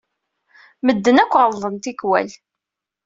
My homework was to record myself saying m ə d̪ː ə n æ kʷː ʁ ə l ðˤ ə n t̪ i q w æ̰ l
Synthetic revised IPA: m ə d̪ː ə n æ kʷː ʁ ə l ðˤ ə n t̪ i k w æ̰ l